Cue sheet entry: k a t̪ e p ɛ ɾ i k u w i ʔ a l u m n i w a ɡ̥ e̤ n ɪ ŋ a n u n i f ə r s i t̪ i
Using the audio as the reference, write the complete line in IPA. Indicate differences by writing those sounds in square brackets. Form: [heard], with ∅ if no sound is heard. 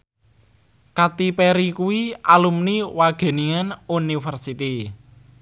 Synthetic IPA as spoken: k a t̪ [i] p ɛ ɾ i k u w i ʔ a l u m n i w a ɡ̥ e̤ n [i] ŋ a n u n i f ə r s i t̪ i